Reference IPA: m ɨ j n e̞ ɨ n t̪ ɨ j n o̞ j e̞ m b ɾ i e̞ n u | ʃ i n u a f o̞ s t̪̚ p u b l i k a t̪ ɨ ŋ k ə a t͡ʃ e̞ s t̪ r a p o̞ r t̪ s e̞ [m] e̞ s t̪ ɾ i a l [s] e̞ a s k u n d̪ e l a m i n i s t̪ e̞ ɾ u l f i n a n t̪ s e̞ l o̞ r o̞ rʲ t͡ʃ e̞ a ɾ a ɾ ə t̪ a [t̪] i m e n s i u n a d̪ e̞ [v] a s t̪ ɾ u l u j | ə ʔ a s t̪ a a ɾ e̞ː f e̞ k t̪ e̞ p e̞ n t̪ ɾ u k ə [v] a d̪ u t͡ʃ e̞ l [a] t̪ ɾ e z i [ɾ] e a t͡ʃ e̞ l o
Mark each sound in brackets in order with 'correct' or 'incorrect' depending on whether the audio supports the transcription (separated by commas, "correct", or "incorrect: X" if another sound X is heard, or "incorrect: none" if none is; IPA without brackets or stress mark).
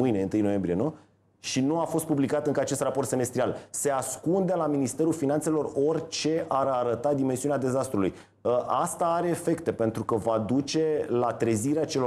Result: correct, correct, incorrect: d̪, incorrect: z, correct, correct, correct